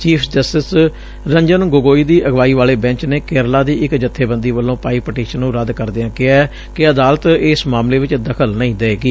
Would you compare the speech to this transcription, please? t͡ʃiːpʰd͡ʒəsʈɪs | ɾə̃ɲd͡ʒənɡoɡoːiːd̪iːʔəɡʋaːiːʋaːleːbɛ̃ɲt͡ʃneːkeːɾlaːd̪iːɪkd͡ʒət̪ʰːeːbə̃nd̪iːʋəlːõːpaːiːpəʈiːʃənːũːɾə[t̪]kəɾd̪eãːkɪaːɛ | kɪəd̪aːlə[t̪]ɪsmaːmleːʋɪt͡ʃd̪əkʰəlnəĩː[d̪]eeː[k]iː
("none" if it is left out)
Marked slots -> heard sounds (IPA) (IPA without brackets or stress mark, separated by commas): d̪, t̪, d̪, ɡ